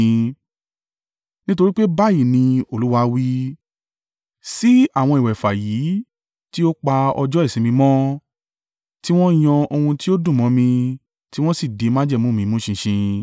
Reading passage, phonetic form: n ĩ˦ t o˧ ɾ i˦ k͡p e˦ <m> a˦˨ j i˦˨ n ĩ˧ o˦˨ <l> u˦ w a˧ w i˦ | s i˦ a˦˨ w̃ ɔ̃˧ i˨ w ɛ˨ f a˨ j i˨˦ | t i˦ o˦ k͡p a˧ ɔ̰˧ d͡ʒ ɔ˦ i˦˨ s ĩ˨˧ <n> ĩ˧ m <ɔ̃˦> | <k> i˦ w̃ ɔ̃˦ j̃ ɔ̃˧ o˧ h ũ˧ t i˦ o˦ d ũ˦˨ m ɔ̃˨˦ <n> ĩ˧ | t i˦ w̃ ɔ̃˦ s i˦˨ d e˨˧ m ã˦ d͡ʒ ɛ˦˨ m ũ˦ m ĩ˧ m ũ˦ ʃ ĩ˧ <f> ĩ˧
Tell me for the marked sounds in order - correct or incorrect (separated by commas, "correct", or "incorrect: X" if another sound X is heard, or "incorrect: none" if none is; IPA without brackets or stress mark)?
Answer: incorrect: b, correct, incorrect: m, correct, incorrect: t, incorrect: m, incorrect: ʃ